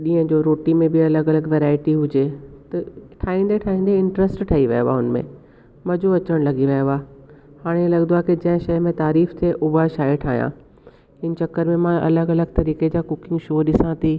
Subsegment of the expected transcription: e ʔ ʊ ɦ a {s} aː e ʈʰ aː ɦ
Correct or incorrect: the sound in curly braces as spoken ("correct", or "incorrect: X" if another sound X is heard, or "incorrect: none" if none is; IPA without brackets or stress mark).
incorrect: ʃ